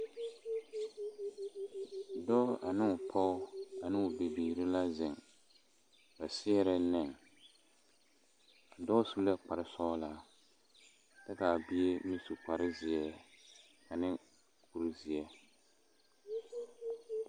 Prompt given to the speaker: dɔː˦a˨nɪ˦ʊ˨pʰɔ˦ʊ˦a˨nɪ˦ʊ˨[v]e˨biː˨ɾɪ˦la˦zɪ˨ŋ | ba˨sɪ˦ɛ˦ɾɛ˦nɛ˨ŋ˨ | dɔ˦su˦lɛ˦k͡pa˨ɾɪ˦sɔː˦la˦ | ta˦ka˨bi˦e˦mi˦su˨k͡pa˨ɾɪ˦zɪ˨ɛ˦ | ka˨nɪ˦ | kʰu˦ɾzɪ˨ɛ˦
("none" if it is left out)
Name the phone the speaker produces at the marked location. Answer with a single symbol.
b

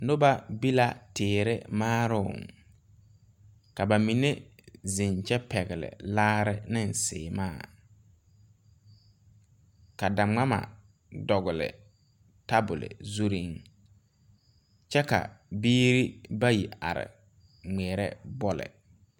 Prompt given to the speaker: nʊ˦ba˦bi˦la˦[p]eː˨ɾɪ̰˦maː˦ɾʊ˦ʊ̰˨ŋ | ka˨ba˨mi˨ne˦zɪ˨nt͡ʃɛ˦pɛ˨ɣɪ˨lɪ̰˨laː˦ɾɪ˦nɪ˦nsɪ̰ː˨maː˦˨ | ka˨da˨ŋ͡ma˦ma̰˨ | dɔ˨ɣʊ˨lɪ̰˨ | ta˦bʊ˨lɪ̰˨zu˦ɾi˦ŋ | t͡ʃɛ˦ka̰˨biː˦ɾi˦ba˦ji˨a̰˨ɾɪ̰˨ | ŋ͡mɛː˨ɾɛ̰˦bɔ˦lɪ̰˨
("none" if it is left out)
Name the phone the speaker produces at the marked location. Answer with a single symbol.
t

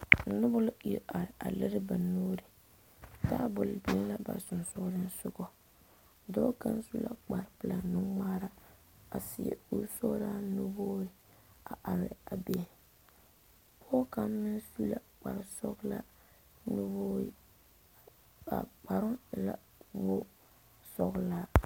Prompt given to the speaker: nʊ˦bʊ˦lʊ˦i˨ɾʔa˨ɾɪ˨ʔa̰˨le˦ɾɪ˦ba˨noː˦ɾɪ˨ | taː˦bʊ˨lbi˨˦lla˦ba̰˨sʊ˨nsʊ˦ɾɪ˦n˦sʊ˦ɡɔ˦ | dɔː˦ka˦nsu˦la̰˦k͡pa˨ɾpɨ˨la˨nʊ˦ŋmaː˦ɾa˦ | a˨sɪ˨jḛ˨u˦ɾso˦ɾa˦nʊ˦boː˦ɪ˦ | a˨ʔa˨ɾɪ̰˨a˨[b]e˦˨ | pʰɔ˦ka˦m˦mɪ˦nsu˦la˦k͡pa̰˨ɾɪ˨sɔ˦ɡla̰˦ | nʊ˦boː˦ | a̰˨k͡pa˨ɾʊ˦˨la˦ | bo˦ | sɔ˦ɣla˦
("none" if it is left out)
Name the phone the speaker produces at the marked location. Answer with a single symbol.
b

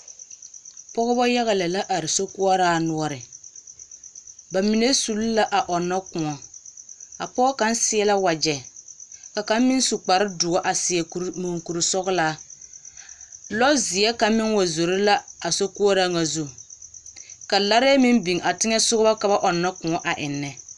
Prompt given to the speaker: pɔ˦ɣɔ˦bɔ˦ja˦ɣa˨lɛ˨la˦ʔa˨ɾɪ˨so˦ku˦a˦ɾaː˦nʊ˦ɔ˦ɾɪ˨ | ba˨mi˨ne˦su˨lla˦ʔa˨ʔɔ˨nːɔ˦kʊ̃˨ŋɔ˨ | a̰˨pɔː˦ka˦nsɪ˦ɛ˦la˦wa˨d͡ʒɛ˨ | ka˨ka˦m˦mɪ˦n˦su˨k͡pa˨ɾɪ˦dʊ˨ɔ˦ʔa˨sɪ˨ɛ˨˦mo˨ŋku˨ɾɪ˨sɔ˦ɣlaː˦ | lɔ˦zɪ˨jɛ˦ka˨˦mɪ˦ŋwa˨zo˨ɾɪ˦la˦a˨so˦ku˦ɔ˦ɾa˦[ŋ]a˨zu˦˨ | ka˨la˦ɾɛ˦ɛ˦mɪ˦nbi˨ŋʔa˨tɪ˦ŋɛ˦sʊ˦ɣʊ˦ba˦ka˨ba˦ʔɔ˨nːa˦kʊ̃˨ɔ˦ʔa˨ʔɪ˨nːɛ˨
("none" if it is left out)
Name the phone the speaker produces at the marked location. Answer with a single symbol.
ŋ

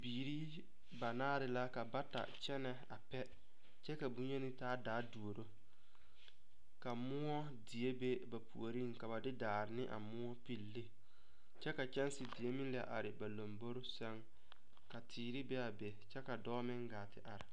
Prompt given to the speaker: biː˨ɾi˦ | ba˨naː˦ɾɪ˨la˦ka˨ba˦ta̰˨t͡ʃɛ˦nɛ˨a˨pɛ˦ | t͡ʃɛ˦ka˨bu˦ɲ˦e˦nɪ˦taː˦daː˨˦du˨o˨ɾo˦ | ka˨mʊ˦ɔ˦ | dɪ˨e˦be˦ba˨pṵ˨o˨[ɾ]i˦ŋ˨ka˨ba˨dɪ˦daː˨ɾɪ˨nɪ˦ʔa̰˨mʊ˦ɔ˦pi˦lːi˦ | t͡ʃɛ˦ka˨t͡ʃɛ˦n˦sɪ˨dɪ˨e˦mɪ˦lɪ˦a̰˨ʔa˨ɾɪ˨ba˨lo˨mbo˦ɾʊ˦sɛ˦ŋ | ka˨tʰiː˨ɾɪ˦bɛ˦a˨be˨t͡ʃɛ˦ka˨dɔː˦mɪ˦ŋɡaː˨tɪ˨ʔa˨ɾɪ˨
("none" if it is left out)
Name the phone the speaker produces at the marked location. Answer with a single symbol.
ɾ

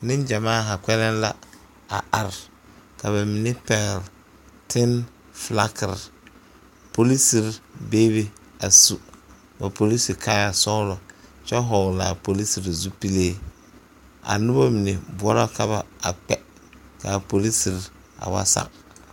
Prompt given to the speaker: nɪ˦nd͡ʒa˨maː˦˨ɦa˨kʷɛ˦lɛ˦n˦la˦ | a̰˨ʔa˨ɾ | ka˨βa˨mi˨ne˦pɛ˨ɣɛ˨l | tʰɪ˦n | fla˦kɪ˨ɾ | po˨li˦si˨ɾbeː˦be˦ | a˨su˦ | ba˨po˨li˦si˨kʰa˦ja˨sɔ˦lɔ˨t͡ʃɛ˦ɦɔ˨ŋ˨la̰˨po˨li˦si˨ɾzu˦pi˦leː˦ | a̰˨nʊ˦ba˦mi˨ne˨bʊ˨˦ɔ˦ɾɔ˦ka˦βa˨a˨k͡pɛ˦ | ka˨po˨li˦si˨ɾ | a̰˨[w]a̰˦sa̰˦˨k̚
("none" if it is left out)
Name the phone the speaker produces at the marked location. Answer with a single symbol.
w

